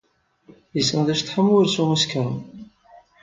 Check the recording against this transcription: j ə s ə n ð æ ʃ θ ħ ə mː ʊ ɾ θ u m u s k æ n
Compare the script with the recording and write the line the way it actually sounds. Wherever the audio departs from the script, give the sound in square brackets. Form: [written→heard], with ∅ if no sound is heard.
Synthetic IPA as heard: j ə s ə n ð æ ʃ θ ħ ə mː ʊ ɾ [θ→s] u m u s k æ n